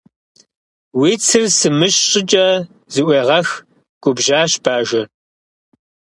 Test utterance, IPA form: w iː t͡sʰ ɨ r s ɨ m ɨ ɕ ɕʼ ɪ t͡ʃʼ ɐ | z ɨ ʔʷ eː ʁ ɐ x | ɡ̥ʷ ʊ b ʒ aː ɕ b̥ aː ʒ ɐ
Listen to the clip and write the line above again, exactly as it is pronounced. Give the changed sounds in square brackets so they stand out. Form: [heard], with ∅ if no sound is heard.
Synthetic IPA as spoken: w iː t͡sʰ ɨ r s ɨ m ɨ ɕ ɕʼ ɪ t͡ʃʼ ɐ | z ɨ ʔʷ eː ʁ ɐ x | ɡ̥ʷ ʊ b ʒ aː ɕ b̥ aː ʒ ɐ